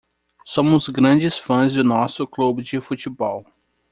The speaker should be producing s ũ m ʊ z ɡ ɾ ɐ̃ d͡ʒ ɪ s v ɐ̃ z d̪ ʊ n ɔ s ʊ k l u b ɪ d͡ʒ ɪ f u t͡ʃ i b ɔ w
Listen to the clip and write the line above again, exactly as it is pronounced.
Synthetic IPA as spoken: s õ m ʊ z ɡ ɾ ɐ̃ d͡ʒ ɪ s f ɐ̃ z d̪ ʊ n ɔ s ʊ k l u b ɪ d͡ʒ ɪ f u t͡ʃ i b ɔ w